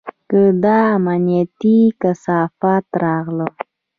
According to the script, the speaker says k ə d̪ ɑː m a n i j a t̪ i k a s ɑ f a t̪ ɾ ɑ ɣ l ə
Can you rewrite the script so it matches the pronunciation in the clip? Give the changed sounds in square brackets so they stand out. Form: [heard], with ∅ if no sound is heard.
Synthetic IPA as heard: k ə d̪ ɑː m a n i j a t̪ i k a s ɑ f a t̪ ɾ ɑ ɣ l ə